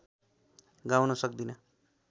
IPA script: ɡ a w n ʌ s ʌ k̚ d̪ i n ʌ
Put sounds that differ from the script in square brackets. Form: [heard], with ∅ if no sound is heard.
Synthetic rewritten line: ɡ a w n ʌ s ʌ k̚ d̪ i n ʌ